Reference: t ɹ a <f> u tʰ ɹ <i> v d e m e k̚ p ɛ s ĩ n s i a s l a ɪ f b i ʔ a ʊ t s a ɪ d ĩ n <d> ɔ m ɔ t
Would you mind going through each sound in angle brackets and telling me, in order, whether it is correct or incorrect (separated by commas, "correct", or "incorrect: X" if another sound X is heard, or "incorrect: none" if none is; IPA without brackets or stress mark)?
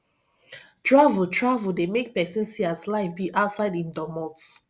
incorrect: v, incorrect: a, correct